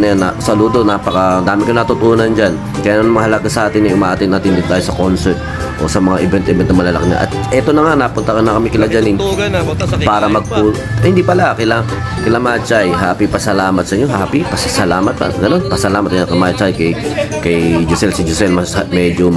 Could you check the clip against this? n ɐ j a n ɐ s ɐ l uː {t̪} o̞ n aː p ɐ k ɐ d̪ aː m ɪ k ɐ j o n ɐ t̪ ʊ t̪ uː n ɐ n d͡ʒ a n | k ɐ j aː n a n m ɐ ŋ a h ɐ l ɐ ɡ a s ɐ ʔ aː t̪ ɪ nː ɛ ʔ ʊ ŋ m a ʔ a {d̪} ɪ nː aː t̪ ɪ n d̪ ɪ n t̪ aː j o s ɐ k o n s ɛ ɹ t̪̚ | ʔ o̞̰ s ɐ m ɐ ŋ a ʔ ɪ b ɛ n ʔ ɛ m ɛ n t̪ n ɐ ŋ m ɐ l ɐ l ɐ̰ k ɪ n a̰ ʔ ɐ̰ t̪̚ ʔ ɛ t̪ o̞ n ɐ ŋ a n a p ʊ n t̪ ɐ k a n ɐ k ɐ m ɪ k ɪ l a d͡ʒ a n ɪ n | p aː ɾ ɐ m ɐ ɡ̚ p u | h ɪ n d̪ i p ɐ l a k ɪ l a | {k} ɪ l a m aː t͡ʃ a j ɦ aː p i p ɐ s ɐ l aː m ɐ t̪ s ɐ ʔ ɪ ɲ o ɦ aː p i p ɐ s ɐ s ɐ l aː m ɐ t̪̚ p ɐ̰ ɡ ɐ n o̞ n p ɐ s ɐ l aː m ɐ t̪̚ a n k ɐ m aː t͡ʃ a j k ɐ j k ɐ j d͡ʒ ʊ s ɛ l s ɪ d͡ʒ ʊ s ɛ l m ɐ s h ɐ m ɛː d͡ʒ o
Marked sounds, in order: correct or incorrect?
incorrect: d̪, incorrect: t̪, correct

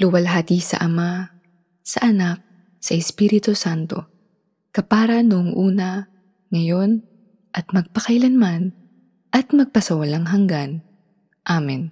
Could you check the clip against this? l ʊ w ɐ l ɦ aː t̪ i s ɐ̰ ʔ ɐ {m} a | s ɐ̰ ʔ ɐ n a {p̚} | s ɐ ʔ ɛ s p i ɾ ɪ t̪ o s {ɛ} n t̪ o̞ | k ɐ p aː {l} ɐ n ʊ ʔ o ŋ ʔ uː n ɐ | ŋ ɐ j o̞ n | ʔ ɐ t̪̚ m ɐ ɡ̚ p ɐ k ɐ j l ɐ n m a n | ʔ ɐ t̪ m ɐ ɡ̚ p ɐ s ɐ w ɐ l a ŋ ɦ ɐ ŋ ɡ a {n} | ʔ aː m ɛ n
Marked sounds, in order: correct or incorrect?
correct, incorrect: k̚, incorrect: a, incorrect: ɾ, correct

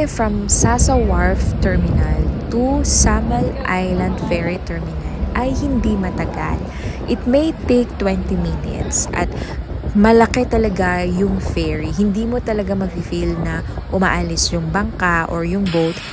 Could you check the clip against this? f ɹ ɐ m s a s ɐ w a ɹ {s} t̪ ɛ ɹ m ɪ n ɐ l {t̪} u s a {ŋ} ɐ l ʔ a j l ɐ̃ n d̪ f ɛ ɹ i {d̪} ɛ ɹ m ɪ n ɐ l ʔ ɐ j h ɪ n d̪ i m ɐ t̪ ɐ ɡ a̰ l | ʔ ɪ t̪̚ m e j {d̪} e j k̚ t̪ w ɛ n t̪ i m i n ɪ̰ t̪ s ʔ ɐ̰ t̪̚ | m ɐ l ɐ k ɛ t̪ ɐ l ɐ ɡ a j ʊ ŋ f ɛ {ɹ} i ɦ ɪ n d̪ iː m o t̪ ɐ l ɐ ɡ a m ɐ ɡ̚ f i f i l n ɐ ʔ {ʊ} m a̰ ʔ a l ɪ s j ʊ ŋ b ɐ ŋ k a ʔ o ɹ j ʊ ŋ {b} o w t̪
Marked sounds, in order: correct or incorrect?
incorrect: f, correct, incorrect: m, incorrect: t̪, incorrect: t̪, correct, correct, correct

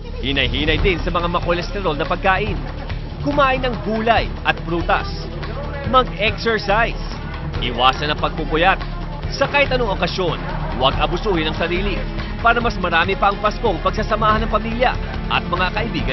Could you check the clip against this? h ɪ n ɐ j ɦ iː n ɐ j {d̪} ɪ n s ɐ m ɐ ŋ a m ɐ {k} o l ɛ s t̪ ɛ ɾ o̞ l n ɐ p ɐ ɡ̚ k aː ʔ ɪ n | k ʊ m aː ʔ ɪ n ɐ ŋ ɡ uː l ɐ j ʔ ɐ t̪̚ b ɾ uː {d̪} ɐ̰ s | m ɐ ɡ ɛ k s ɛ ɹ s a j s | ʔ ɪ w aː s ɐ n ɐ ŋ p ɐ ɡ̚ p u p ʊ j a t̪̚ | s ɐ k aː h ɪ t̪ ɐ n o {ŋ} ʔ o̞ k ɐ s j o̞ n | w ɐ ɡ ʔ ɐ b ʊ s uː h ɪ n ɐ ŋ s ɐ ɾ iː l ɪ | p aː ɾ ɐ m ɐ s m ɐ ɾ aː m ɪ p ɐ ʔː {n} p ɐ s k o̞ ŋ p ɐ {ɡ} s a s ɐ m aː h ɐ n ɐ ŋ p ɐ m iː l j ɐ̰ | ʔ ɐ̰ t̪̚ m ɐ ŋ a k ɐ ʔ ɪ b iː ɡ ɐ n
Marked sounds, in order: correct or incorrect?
correct, correct, incorrect: t̪, correct, incorrect: ŋ, correct

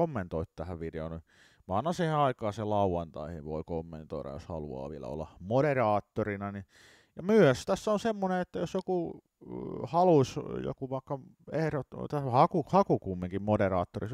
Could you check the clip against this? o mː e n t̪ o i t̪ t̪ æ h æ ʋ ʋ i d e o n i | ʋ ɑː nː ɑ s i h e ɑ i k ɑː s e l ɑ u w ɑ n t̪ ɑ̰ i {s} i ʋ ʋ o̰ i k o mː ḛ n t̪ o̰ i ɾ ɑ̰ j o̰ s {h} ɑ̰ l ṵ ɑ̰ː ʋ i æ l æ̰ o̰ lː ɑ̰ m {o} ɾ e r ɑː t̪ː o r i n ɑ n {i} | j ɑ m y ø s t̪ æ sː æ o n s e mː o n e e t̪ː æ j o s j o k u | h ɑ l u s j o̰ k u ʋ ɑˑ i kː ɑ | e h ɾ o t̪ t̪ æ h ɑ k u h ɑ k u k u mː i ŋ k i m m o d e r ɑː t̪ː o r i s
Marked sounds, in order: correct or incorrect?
incorrect: h, correct, correct, correct

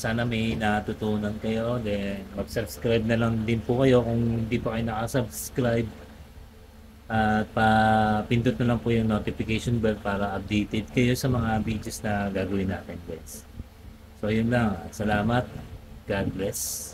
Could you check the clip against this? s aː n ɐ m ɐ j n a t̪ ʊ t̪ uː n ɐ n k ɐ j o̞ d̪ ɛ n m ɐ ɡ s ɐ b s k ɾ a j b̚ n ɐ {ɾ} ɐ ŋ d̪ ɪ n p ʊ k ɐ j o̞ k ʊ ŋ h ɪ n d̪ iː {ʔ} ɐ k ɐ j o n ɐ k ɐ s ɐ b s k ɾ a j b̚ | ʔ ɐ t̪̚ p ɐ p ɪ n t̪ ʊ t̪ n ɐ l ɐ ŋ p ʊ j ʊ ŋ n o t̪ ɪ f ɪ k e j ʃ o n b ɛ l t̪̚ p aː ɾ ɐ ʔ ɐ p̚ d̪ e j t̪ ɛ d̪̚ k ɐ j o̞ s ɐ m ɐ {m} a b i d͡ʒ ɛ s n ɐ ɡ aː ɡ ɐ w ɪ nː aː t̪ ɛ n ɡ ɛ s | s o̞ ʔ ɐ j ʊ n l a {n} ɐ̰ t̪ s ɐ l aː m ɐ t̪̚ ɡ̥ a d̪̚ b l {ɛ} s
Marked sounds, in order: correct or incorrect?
incorrect: l, incorrect: p, incorrect: ŋ, incorrect: ŋ, correct

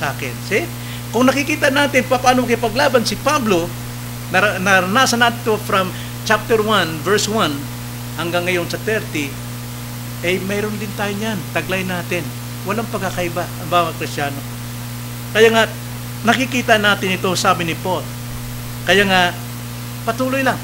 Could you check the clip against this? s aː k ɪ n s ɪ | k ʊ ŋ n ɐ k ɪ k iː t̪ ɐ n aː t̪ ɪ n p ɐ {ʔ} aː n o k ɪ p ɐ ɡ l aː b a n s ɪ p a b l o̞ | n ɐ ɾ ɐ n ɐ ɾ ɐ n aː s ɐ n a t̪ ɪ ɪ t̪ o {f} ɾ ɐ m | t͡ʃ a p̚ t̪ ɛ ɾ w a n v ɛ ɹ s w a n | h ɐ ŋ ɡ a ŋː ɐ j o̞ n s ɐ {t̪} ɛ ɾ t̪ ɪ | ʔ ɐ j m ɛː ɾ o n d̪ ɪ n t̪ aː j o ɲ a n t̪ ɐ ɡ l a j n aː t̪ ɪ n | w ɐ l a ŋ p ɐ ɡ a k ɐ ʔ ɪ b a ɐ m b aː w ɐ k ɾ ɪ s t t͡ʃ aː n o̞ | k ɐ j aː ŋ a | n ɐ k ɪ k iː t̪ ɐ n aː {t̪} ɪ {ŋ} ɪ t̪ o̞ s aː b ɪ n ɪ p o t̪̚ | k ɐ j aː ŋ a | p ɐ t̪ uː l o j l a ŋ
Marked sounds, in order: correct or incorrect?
incorrect: p, correct, correct, correct, incorrect: n

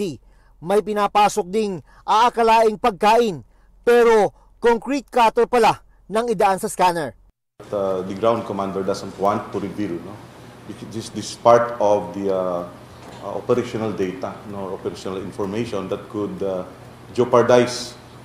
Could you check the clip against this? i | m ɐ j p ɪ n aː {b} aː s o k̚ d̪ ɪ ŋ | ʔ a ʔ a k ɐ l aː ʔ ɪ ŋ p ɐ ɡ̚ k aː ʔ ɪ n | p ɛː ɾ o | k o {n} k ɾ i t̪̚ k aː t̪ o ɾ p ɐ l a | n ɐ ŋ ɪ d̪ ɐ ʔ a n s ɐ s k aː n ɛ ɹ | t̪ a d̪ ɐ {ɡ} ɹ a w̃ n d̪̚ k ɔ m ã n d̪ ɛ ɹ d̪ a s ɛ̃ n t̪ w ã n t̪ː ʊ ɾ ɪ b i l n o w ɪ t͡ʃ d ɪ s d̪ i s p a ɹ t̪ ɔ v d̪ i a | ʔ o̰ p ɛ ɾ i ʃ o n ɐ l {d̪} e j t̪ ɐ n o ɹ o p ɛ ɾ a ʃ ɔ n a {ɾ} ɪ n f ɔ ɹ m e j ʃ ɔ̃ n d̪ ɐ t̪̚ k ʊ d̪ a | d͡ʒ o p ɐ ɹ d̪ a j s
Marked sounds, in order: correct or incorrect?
incorrect: p, incorrect: ŋ, correct, correct, incorrect: l

